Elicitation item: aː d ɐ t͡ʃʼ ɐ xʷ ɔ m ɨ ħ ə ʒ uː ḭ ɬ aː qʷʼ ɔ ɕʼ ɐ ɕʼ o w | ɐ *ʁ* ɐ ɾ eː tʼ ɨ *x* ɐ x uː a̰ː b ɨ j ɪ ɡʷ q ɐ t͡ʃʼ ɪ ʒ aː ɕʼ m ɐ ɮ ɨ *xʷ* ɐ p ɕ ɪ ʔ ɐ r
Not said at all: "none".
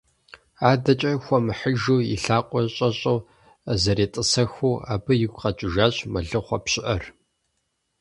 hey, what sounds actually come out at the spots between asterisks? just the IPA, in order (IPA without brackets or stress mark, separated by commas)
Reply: z, s, χʷ